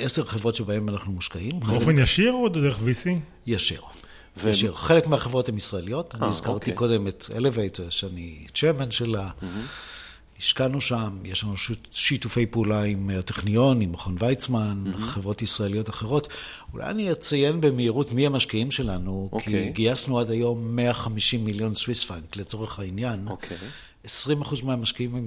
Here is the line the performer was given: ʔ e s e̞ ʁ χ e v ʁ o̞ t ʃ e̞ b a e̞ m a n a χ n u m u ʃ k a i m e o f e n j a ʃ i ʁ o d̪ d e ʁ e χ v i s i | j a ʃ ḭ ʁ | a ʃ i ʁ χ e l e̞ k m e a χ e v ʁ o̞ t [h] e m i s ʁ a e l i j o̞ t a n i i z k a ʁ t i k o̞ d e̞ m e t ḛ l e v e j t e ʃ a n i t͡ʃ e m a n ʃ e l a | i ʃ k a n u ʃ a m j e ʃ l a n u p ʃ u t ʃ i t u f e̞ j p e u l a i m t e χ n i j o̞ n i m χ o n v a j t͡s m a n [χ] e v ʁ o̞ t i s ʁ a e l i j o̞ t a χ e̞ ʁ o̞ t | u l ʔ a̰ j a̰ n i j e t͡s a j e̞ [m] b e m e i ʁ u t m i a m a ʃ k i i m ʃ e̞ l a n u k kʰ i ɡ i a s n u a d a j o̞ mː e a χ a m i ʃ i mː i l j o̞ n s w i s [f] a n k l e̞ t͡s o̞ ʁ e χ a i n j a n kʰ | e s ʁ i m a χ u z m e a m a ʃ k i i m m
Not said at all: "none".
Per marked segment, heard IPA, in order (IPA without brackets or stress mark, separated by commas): h, χ, n, f